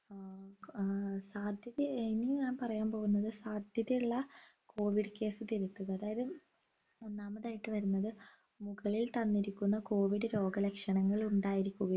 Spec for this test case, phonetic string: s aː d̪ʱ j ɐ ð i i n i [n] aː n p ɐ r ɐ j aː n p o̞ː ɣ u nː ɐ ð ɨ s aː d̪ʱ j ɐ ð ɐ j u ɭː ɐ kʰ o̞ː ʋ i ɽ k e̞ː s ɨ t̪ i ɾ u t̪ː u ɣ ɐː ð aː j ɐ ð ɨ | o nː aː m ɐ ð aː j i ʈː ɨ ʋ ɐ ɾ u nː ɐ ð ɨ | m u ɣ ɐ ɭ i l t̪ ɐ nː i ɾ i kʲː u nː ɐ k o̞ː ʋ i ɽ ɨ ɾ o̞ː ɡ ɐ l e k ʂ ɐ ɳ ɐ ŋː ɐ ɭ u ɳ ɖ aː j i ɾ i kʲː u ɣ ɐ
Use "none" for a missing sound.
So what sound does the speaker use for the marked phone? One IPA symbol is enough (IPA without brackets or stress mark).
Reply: ɲ